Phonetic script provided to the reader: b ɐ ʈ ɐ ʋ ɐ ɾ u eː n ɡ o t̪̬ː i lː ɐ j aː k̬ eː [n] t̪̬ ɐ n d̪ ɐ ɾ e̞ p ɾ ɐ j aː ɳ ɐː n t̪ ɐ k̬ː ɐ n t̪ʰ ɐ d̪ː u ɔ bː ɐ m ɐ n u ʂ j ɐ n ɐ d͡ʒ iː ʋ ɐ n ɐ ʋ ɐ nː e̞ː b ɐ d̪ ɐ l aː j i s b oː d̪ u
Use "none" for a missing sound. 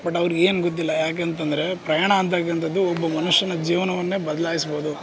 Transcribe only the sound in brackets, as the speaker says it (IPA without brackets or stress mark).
n